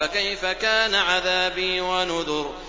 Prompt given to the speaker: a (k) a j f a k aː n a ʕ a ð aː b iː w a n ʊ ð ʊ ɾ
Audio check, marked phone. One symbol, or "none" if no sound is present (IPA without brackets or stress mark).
k